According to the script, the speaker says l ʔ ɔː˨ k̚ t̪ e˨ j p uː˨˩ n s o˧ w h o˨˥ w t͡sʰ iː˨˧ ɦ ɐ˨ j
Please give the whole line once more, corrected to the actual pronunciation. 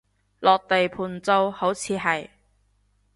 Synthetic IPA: l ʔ ɔː˨ k̚ t̪ e˨ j pʰ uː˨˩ n t͡s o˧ w h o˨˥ w t͡sʰ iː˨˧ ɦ ɐ˨ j